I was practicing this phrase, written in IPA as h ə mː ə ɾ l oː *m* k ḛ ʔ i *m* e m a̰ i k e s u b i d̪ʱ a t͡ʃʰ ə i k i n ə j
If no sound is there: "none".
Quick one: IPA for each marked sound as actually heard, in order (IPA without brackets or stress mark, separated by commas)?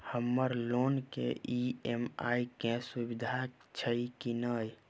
n, none